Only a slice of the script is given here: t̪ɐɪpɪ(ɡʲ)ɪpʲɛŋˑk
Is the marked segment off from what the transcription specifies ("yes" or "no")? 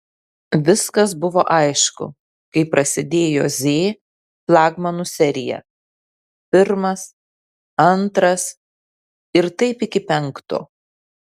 yes